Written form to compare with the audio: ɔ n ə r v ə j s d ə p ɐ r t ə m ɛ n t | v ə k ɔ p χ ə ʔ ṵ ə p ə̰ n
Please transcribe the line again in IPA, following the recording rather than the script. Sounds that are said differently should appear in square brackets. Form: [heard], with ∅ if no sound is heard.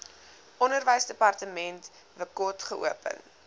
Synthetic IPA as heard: ɔ n ə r v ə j s d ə p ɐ r t ə m ɛ n t | v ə k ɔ [t] χ ə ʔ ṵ ə p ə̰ n